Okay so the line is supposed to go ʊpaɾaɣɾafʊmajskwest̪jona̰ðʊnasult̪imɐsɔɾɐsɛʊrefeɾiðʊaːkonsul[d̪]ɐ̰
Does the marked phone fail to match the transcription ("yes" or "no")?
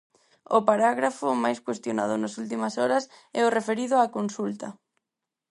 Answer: yes